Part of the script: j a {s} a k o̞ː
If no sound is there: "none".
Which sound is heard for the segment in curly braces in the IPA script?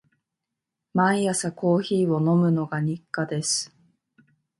s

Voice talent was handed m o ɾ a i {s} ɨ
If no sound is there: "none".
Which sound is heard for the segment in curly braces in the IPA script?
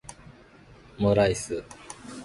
s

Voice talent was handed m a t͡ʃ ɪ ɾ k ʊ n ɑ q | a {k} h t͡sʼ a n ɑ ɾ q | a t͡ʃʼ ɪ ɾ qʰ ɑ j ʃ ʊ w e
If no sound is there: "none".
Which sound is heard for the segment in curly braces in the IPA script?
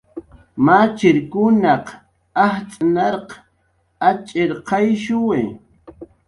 none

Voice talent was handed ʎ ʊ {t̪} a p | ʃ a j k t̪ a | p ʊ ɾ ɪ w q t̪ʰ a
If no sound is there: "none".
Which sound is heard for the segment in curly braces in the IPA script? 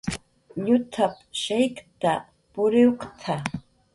t̪ʰ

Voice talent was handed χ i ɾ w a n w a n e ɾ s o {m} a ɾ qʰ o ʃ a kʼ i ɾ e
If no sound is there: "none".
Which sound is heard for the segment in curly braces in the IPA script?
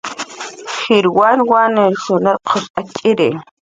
n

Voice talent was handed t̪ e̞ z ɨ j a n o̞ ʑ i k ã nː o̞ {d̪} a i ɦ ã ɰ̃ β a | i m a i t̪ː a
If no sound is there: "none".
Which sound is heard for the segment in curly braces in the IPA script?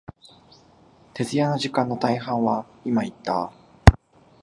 t̪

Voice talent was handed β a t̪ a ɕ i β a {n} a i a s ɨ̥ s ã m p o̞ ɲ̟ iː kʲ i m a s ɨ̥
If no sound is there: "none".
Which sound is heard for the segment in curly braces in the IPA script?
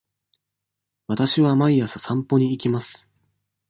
m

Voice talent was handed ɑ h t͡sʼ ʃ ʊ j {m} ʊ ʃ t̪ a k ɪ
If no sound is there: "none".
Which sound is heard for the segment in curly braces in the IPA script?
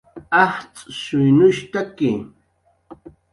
n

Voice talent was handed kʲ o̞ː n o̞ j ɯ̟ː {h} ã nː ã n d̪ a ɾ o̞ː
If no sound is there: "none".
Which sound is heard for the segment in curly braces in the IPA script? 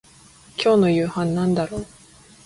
h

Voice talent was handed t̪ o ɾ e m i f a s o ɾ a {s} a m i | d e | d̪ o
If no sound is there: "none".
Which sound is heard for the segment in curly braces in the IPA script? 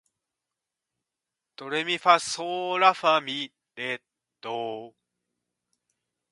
f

